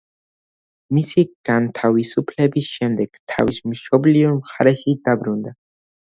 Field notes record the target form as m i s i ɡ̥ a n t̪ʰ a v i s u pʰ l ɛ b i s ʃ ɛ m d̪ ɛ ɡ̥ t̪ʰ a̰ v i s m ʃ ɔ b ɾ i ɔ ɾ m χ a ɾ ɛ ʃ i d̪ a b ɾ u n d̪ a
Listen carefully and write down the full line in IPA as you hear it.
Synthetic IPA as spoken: m i s i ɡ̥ a n t̪ʰ a v i s u pʰ l ɛ b i s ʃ ɛ m d̪ ɛ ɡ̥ t̪ʰ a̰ v i s m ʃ ɔ b l i ɔ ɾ m χ a ɾ ɛ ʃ i d̪ a b ɾ u n d̪ a